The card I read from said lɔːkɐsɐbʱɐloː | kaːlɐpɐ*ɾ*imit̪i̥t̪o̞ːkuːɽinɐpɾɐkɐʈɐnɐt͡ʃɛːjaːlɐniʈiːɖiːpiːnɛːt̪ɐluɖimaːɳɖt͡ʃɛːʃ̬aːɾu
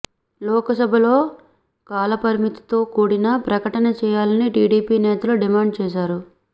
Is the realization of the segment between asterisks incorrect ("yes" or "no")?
no